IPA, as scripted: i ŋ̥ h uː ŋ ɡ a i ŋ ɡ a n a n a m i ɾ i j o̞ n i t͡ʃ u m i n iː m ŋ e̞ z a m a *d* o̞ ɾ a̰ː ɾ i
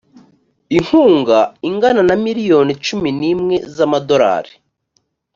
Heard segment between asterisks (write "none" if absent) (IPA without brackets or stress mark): d